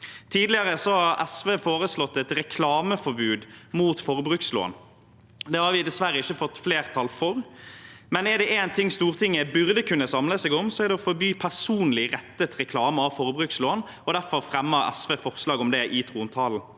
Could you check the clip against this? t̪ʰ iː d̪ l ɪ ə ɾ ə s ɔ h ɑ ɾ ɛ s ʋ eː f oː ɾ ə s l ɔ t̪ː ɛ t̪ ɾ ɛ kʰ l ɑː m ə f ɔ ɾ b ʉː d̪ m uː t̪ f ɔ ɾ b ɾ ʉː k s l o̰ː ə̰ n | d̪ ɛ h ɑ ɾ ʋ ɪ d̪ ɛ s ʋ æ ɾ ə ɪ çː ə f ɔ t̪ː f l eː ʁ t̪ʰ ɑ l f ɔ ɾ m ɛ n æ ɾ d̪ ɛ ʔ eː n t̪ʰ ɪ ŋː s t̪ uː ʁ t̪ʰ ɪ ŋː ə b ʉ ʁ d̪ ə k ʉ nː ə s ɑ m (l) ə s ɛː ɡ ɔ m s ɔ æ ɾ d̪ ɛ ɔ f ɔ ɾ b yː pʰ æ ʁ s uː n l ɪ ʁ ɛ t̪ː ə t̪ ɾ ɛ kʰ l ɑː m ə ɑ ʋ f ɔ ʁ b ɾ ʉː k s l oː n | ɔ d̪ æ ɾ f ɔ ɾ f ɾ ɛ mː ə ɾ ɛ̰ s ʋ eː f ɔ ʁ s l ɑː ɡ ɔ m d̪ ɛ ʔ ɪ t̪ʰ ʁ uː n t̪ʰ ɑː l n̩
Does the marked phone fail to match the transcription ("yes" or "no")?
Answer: no